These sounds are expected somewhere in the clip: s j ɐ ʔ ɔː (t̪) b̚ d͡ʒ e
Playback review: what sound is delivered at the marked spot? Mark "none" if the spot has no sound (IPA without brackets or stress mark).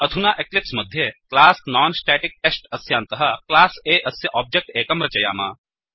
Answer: none